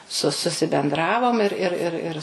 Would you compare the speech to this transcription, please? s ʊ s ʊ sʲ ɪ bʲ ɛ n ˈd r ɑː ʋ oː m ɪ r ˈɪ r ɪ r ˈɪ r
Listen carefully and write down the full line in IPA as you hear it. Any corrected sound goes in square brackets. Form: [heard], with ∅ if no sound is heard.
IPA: s ʊ s ʊ sʲ ɪ bʲ ɛ n ˈd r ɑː ʋ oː m ɪ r ˈɪ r ɪ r ˈɪ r

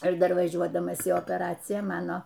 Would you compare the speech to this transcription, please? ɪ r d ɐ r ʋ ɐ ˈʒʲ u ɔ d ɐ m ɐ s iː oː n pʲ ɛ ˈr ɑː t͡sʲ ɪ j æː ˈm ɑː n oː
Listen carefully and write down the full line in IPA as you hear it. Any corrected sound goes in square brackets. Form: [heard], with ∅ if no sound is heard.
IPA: ɪ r d ɐ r ʋ ɐ ˈʒʲ u ɔ d ɐ m ɐ s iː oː [∅] pʲ ɛ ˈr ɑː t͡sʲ ɪ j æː ˈm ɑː n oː

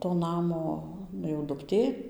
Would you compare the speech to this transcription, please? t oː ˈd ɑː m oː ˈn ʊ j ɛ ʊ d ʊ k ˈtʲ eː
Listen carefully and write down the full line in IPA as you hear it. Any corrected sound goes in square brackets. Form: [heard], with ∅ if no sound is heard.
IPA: t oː [ˈn] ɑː m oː ˈn ʊ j ɛ ʊ d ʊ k ˈtʲ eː

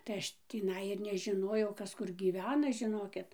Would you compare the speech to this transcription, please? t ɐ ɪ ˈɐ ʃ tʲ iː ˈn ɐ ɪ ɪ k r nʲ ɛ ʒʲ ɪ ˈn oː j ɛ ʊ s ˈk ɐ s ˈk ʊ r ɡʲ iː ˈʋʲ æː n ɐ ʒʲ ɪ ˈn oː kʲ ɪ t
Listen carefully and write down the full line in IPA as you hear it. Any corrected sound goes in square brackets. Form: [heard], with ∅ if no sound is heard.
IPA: t ɐ ɪ ˈɐ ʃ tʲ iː ˈn ɐ ɪ ɪ [∅] r nʲ ɛ ʒʲ ɪ ˈn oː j ɛ ʊ [∅] ˈk ɐ s ˈk ʊ r ɡʲ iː ˈʋʲ æː n ɐ ʒʲ ɪ ˈn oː kʲ ɪ t

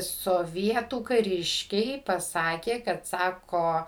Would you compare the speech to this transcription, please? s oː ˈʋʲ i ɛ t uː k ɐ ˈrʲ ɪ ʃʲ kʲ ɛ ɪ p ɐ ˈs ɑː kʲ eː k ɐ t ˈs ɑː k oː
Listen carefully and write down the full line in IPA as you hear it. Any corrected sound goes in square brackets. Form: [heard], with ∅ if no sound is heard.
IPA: s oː ˈʋʲ i ɛ t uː k ɐ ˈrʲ ɪ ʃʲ kʲ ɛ ɪ p ɐ ˈs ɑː kʲ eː k ɐ t ˈs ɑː k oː

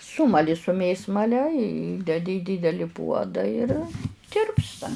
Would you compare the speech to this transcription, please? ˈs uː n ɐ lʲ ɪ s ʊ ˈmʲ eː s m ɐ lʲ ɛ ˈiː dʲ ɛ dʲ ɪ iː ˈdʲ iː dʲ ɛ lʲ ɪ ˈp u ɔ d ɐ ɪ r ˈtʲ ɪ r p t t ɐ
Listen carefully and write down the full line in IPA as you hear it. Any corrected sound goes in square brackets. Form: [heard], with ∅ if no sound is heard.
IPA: ˈs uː [m] ɐ lʲ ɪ s ʊ ˈmʲ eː s m ɐ lʲ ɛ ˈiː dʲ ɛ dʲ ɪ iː ˈdʲ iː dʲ ɛ lʲ ɪ ˈp u ɔ d ɐ ɪ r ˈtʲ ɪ r p [s] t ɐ

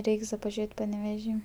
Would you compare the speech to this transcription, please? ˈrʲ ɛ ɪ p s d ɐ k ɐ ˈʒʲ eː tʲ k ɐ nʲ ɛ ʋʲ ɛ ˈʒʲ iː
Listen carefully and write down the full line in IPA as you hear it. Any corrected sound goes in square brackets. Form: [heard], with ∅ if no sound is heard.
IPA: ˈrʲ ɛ ɪ [k] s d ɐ [p] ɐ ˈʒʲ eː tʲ [p] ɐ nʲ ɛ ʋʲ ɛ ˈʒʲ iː

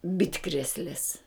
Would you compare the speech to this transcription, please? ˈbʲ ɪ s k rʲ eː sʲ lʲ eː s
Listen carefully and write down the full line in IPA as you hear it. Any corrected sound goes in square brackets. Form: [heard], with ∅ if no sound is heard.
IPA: ˈbʲ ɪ [t] k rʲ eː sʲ lʲ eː s

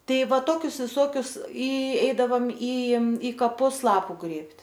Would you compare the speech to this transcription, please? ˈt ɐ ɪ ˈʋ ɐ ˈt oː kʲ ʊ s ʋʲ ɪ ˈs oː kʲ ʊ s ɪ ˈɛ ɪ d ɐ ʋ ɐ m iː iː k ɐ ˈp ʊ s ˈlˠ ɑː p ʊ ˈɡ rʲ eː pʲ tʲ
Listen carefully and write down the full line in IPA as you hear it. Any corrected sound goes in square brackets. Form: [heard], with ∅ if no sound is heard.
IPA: ˈt ɐ ɪ ˈʋ ɐ ˈt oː kʲ ʊ s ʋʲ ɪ ˈs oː kʲ ʊ s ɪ ˈɛ ɪ d ɐ ʋ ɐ m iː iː k ɐ ˈp ʊ s ˈlˠ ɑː p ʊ ˈɡ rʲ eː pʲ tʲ

